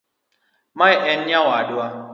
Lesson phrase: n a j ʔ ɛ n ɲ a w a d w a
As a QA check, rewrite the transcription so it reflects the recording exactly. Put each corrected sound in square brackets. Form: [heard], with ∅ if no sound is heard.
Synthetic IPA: [m] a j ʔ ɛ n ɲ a w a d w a